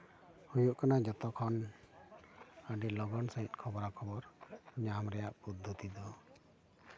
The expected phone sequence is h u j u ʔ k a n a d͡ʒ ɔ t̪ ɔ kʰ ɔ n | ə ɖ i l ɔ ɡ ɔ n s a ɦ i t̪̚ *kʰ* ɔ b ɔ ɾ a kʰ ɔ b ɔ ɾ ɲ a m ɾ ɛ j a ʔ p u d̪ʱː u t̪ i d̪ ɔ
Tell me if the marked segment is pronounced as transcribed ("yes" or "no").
yes